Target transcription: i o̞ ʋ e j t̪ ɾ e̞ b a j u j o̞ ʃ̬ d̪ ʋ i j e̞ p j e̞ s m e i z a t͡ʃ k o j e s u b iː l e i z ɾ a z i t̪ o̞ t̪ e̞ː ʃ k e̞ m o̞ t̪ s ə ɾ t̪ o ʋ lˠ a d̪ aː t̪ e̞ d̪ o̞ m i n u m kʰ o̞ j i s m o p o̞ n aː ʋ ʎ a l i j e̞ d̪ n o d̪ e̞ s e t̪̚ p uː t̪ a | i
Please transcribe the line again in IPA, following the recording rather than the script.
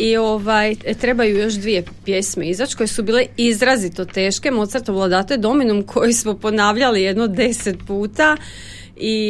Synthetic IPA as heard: i o̞ ʋ a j t̪ ɾ e̞ b a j u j o̞ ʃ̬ d̪ ʋ i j e̞ p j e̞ s m e i z a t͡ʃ k o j e s u b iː l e i z ɾ a z i t̪ o̞ t̪ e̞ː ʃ k e̞ m o̞ t̪ s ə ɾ t̪ o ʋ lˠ a d̪ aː t̪ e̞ d̪ o̞ m i n u m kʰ o̞ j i s m o p o̞ n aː ʋ ʎ a l i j e̞ d̪ n o d̪ e̞ s e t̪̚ p uː t̪ a | i